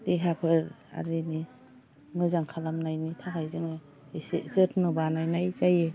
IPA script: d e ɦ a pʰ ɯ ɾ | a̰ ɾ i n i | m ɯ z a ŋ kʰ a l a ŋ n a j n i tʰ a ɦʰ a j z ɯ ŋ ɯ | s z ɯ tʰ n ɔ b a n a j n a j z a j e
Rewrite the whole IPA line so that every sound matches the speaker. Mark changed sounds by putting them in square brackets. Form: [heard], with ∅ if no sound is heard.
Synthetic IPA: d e ɦ a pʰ ɯ ɾ | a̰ ɾ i n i | m ɯ z a ŋ kʰ a l a [m] n a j n i tʰ a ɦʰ a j z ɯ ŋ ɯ | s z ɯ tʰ n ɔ b a n a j n a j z a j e